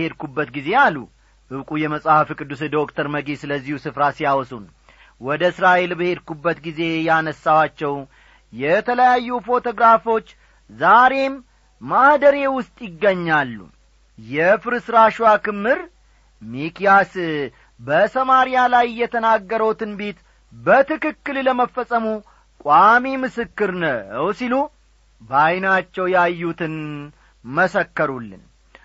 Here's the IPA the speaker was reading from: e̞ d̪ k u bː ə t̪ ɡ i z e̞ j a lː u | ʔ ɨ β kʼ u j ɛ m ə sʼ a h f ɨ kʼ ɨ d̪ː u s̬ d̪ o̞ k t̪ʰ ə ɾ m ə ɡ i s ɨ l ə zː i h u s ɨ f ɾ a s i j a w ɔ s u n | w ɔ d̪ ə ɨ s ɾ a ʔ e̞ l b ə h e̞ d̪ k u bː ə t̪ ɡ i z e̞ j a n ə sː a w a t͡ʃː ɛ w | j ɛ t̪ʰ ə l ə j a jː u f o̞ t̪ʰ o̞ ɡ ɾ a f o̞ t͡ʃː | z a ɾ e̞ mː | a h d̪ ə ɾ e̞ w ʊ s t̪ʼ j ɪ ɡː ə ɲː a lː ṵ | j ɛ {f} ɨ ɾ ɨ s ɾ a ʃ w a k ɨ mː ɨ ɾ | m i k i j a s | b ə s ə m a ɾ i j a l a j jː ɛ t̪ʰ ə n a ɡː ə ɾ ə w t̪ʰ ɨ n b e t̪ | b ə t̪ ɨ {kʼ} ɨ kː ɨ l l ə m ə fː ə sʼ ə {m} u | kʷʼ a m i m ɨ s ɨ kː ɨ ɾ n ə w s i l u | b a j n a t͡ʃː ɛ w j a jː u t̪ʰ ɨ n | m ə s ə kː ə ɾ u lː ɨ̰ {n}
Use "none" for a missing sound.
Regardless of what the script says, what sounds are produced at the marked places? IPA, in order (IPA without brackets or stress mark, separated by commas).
f, k, m, n